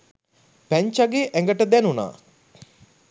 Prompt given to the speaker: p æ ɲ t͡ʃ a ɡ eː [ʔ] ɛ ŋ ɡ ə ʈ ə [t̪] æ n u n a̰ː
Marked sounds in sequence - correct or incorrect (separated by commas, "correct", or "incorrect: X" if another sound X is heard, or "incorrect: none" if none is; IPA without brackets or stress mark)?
correct, incorrect: d̪